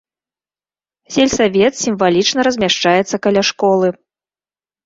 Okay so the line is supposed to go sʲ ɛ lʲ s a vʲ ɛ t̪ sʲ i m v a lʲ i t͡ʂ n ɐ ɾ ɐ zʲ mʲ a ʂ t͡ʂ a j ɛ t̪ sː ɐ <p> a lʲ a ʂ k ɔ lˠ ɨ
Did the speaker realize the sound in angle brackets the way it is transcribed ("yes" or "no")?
no